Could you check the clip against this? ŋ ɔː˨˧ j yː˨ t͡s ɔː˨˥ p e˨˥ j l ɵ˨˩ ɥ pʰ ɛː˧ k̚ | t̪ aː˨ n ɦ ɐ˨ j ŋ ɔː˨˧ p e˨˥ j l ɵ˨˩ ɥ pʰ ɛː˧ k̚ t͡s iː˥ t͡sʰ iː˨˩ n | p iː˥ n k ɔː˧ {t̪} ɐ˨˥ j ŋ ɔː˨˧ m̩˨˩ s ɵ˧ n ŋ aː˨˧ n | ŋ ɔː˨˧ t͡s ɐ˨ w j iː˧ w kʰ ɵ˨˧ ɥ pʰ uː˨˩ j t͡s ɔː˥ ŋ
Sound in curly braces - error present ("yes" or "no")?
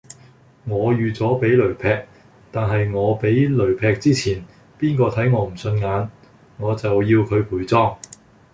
yes